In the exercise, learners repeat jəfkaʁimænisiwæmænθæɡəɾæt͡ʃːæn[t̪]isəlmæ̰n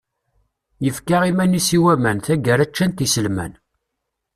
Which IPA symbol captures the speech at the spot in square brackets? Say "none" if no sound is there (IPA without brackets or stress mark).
t̪